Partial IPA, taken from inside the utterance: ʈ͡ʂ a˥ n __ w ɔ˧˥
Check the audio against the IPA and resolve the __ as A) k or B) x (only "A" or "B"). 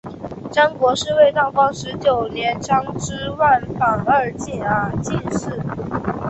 A